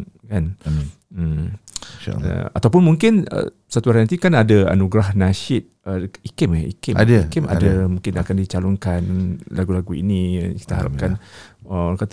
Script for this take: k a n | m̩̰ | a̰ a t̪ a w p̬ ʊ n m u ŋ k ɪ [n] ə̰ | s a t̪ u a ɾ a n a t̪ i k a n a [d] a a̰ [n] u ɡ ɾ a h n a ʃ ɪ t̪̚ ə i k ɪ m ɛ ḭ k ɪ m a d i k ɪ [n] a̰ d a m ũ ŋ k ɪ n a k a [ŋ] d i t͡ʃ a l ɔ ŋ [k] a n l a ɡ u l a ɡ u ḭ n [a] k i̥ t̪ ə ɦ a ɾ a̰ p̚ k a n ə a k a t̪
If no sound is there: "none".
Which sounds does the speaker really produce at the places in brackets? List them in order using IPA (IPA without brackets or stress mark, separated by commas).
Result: n, d, n, m, n, k, i